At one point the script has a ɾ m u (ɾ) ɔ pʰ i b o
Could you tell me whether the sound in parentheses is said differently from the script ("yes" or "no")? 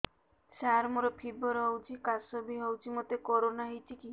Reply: no